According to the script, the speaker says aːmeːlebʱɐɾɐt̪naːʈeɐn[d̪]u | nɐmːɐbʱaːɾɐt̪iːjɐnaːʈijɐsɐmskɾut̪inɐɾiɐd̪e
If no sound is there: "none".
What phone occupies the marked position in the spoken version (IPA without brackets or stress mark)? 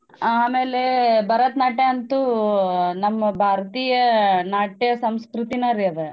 t̪